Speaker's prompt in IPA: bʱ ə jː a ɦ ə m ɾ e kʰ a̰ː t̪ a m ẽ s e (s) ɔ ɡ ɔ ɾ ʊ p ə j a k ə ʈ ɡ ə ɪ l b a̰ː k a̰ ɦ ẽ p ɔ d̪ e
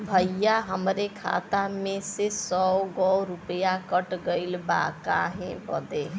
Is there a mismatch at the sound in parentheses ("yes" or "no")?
no